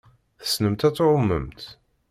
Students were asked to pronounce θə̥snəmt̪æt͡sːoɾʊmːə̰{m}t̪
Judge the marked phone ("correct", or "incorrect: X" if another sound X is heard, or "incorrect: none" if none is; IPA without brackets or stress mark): correct